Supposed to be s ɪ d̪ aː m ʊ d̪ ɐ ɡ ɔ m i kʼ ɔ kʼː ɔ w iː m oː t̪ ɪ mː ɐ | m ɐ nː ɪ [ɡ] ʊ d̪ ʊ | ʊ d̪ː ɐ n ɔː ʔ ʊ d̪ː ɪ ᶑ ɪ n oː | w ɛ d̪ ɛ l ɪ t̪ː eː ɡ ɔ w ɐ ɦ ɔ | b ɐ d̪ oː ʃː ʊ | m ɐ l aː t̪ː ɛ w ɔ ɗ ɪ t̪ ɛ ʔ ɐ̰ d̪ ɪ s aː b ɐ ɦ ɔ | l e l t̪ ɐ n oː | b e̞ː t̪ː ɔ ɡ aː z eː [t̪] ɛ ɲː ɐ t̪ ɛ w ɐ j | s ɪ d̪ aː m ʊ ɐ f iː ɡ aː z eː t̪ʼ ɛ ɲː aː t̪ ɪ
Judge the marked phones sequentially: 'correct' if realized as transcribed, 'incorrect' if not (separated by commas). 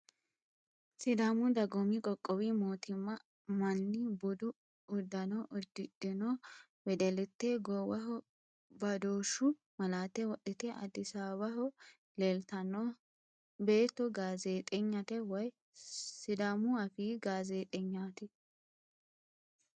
incorrect, incorrect